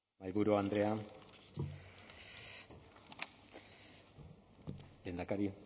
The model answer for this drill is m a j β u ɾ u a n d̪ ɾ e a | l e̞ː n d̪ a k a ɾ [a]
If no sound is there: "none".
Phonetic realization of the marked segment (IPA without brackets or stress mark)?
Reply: i